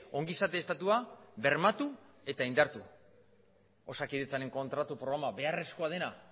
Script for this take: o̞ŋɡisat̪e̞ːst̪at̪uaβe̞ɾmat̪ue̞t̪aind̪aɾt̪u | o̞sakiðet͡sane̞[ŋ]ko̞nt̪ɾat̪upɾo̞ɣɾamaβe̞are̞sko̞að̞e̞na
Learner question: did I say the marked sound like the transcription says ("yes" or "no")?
yes